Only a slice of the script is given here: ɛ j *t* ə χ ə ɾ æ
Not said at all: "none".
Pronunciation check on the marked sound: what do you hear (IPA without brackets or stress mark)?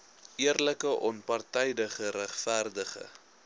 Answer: d